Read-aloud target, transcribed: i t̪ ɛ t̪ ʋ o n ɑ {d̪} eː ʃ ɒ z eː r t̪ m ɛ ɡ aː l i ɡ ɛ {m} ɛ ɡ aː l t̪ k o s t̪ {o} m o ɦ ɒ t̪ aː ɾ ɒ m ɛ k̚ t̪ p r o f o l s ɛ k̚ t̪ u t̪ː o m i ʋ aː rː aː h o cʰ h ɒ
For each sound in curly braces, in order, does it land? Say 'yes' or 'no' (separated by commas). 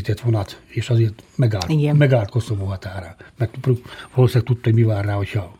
no, yes, yes